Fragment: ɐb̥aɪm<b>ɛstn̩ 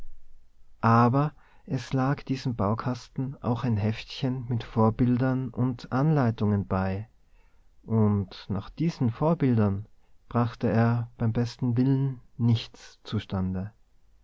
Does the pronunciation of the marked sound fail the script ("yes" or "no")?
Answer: no